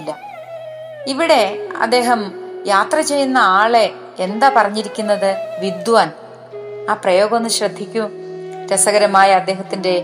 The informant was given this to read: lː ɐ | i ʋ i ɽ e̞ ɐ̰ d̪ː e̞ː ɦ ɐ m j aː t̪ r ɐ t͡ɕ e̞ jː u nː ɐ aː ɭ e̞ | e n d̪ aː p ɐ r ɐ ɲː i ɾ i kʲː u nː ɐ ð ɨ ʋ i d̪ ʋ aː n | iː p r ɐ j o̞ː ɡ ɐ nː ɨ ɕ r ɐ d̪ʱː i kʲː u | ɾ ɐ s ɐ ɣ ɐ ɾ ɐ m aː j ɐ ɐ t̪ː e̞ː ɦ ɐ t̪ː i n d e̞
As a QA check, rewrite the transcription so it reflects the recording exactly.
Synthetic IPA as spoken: lː ɐ | i ʋ i ɽ e̞ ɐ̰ d̪ː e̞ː ɦ ɐ m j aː t̪ r ɐ t͡ɕ e̞ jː u nː ɐ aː ɭ e̞ | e n d̪ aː p ɐ r ɐ ɲː i ɾ i kʲː u nː ɐ ð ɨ ʋ i d̪ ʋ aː n | aː p r ɐ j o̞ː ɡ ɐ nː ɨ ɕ r ɐ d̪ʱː i kʲː u | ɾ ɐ s ɐ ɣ ɐ ɾ ɐ m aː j ɐ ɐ d̪ː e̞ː ɦ ɐ t̪ː i n d e̞